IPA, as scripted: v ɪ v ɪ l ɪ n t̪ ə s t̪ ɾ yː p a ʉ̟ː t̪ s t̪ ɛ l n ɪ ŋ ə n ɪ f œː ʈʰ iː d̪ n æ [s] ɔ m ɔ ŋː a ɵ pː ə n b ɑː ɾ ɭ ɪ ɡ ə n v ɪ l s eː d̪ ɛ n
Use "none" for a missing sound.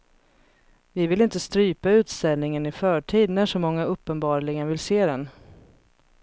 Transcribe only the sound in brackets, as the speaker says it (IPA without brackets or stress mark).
ʂ